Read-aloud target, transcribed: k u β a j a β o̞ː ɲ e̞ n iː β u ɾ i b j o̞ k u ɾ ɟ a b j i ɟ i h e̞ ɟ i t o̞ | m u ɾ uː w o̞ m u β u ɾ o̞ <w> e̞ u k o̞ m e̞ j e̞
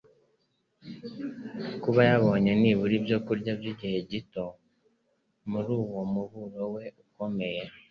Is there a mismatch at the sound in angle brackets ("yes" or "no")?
no